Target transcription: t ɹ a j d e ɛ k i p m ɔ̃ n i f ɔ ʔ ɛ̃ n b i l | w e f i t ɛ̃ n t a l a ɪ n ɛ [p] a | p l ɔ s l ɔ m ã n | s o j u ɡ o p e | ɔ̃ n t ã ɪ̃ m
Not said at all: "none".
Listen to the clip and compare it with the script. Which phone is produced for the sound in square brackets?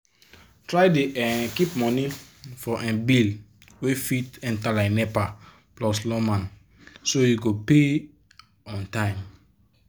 p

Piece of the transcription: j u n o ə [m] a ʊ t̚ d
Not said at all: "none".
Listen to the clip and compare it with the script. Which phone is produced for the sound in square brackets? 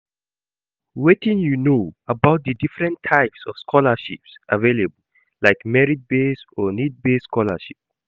b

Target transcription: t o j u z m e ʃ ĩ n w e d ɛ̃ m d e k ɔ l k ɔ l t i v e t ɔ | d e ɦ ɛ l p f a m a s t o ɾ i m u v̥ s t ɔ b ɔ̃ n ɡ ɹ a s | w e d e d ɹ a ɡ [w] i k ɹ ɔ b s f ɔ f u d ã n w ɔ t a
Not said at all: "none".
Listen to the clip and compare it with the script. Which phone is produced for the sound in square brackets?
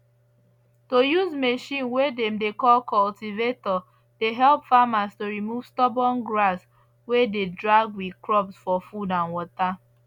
w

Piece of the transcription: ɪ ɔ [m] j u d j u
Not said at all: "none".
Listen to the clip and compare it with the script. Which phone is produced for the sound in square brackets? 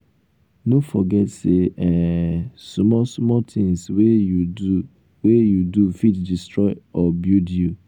b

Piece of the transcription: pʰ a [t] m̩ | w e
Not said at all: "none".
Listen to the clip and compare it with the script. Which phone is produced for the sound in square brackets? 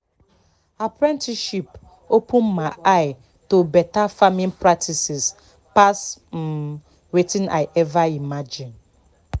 s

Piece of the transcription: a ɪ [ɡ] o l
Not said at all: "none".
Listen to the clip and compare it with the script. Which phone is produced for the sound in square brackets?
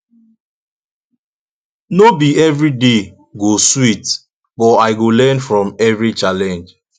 ɡ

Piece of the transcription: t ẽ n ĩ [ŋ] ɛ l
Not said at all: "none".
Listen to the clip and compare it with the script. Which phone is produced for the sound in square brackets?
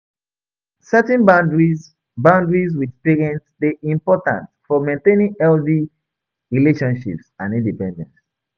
ŋ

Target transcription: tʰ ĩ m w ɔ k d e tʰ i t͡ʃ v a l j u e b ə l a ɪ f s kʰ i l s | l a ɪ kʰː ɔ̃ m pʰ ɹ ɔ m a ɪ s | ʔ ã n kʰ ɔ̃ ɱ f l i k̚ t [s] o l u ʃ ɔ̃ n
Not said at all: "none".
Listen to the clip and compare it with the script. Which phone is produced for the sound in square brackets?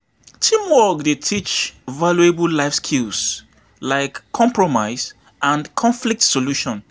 s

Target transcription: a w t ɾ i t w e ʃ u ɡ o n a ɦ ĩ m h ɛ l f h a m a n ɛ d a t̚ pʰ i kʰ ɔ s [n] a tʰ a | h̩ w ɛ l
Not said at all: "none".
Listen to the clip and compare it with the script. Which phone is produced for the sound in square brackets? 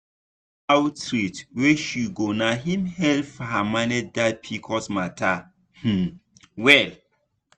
m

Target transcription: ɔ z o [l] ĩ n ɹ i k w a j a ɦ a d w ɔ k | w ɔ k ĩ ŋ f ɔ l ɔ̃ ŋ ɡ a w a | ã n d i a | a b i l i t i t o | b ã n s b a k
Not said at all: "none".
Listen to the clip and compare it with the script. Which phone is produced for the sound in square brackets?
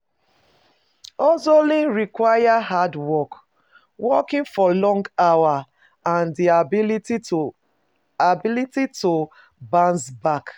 l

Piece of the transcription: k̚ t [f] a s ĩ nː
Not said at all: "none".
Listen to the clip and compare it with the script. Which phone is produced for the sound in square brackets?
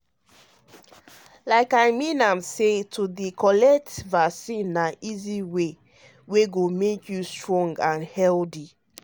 v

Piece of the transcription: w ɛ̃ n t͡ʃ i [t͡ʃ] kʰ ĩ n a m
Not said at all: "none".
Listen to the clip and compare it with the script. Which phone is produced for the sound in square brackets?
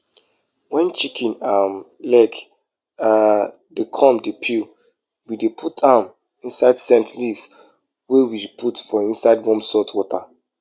none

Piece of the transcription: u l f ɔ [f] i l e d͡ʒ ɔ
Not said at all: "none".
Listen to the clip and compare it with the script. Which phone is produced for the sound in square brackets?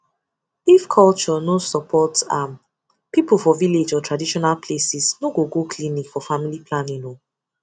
v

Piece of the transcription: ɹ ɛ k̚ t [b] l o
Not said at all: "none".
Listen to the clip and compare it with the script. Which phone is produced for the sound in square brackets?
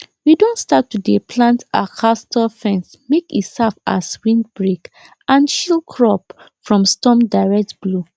b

